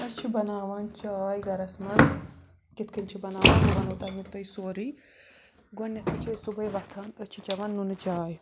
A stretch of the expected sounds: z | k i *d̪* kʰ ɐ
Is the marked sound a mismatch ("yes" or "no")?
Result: yes